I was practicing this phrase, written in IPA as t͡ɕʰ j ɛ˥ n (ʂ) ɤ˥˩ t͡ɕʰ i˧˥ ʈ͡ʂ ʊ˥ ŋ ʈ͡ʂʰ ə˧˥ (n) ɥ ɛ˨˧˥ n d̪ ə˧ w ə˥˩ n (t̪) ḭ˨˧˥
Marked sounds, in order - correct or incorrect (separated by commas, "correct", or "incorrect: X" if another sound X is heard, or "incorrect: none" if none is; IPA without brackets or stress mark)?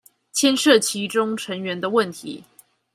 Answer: correct, incorrect: ŋ, incorrect: t̪ʰ